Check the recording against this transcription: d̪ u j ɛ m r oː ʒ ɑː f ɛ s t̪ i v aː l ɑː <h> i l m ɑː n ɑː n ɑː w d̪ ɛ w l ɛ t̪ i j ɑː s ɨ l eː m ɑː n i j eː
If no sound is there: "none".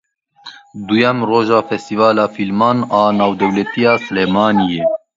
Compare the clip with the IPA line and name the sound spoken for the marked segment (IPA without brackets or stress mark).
f